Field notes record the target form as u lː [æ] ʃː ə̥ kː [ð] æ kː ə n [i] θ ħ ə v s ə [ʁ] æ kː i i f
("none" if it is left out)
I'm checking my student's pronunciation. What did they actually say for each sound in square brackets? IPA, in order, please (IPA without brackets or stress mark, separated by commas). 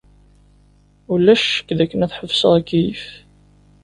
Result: æ, ð, æ, ʁ